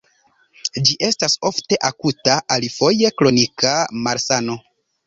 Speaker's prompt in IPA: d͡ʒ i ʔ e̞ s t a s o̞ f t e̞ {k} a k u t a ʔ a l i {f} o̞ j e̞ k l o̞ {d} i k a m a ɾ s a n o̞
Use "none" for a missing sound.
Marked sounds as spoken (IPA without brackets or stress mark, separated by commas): ʔ, f, n